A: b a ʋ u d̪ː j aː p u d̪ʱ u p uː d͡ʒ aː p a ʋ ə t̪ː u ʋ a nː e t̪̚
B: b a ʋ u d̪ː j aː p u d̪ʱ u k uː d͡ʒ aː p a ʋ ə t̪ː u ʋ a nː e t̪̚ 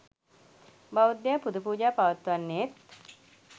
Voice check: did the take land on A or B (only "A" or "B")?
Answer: A